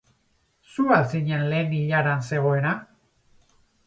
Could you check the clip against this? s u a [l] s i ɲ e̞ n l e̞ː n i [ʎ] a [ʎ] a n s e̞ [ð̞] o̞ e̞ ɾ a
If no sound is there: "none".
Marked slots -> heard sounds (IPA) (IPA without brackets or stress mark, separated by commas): l, ʎ, ɾ, ɣ̞